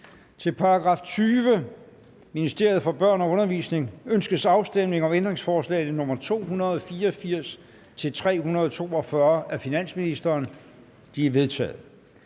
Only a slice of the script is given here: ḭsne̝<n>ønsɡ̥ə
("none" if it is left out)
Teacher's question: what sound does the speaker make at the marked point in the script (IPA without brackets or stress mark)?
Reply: ŋ